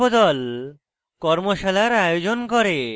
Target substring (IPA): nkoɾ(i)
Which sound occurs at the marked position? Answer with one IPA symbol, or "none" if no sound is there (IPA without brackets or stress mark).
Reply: e